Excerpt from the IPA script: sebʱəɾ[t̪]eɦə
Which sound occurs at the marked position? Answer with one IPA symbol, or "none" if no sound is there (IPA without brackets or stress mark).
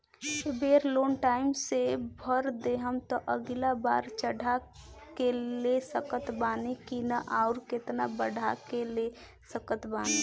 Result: d̪